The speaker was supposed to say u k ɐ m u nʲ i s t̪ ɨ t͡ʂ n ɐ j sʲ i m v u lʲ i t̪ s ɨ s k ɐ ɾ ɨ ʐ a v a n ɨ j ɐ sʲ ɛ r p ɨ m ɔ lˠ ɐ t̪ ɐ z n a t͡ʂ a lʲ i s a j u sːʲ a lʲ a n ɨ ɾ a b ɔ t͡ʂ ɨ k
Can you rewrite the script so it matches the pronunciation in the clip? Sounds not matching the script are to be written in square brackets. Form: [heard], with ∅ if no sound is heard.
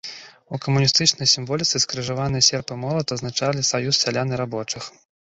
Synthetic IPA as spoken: u k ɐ m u nʲ i s t̪ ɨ t͡ʂ n ɐ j sʲ i m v [ɔ] lʲ i t̪ s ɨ s k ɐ ɾ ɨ ʐ a v a n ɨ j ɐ sʲ ɛ r p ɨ m ɔ lˠ ɐ t̪ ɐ z n a t͡ʂ a lʲ i s a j u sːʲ a lʲ a n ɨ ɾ a b ɔ t͡ʂ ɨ [x]